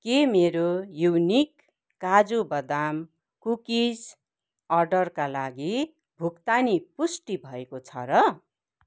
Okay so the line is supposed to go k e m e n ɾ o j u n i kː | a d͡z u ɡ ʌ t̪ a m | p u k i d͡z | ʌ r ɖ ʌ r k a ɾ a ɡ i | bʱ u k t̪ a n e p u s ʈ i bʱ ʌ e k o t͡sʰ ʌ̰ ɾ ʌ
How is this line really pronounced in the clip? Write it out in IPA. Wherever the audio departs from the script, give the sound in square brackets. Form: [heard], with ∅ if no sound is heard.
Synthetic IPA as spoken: k e m e [∅] ɾ o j u n i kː | a d͡z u [b] ʌ [d̪] a m | [k] u k i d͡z | ʌ r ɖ ʌ r k a [l] a ɡ i | bʱ u k t̪ a n [i] p u s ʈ i bʱ ʌ e k o t͡sʰ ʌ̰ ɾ ʌ